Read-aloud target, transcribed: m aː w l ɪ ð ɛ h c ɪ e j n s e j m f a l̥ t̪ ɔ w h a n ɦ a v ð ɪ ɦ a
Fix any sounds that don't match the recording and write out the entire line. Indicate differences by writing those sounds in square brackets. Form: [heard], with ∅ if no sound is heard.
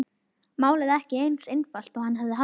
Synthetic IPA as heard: m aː w l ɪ ð ɛ h c ɪ e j n s e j [n] f a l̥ t̪ ɔ [ɣ] h a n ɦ a v ð ɪ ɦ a